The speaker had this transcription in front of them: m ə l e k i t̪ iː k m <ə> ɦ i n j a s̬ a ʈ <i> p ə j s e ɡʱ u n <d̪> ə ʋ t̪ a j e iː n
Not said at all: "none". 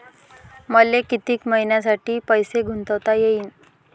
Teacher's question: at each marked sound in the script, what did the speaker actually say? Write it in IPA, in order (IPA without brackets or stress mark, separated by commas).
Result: ə, iː, t̪